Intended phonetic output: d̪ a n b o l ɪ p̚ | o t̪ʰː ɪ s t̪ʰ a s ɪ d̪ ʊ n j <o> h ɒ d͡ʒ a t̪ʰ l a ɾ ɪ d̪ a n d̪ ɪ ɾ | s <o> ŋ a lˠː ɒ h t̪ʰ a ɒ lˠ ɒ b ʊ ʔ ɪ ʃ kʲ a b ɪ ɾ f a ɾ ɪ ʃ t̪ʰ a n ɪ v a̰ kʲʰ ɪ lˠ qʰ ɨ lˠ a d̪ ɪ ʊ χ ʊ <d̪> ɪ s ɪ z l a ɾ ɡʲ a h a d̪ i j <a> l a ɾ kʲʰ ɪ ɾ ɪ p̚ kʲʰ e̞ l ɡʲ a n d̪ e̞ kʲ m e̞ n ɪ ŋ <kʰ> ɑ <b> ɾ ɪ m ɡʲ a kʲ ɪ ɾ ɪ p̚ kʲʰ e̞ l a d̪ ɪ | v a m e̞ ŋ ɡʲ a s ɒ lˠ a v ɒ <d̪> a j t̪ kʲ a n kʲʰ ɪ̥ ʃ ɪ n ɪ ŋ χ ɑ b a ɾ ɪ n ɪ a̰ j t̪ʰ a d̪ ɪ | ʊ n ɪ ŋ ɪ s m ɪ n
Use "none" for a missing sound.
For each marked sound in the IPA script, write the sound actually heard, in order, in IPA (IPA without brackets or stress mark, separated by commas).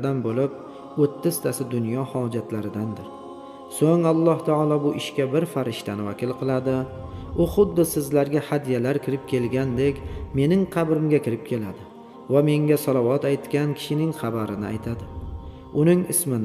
ɒ, o, d̪ː, a, qʰ, b, t̪